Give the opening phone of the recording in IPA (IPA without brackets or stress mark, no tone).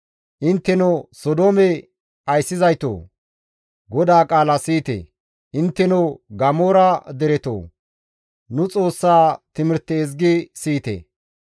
ʔ